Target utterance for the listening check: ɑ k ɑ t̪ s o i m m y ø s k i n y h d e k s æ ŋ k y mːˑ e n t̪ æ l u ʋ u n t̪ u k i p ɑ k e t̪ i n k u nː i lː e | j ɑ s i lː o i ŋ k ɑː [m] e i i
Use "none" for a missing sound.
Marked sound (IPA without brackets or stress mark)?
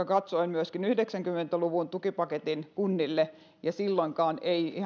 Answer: n